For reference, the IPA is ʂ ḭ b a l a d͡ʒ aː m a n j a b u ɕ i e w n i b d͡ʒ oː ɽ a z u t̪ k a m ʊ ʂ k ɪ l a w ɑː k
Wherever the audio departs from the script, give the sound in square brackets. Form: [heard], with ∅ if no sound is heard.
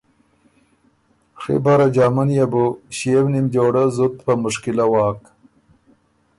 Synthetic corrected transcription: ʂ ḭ b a [ɾ] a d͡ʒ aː m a n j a b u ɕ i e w n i [m] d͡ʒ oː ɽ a z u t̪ [p] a m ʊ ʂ k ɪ l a w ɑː k

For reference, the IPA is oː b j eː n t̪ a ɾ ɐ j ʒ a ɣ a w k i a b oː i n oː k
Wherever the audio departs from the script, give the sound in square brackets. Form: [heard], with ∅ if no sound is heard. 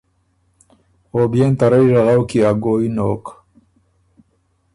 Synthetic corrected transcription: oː b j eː n t̪ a ɾ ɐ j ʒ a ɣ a w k i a [ɡ] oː i n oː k

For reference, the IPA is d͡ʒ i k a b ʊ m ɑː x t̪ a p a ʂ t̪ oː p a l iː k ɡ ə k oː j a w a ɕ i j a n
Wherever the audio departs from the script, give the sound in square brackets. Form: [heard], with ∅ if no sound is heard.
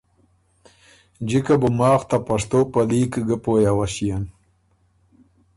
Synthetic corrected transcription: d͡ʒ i k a b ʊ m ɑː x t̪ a p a ʂ t̪ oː p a l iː k ɡ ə [p] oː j a w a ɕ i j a n

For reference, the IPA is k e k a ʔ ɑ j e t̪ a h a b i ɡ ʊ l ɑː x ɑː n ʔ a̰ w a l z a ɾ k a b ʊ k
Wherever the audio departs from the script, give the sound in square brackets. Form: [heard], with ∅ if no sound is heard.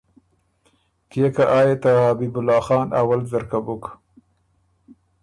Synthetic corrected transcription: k e k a ʔ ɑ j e t̪ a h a b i [b] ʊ l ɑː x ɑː n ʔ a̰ w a l z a ɾ k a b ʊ k

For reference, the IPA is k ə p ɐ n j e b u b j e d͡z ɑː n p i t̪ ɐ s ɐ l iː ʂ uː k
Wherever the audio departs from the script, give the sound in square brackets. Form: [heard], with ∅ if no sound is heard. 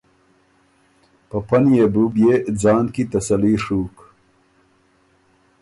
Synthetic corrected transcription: [p] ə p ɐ n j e b u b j e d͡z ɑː n [k] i t̪ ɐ s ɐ l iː ʂ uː k

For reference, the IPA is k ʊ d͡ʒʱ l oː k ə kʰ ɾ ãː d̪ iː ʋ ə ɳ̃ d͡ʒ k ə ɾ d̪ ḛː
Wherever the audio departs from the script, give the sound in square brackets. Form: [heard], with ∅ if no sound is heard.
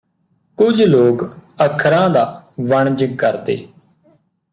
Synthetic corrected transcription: k ʊ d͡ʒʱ l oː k ə kʰ ɾ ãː d̪ [aː] ʋ ə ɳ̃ d͡ʒ k ə ɾ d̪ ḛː

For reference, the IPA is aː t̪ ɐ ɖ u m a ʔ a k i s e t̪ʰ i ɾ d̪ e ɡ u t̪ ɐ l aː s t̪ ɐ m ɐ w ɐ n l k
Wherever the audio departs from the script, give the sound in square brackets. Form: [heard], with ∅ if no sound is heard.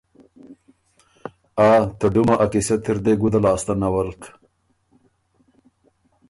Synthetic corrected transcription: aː t̪ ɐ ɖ u m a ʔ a k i s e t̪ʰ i ɾ d̪ e ɡ u [d̪] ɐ l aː s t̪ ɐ [n] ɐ w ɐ [∅] l k

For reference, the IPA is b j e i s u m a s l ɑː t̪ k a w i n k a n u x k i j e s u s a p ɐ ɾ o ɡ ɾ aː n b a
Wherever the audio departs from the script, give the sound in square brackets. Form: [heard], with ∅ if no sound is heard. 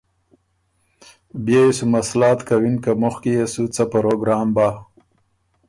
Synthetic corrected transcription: b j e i s u m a s l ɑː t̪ k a w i n k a [m] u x k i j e s u [t͡s] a p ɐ ɾ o ɡ ɾ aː [m] b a

